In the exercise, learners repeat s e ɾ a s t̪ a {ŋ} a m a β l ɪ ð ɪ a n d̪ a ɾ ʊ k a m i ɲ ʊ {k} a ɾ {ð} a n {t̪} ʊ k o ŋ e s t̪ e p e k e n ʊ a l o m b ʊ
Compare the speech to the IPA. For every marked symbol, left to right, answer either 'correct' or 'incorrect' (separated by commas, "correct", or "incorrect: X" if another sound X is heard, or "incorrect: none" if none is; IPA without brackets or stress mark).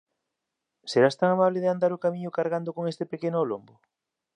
correct, correct, incorrect: ɣ, incorrect: d̪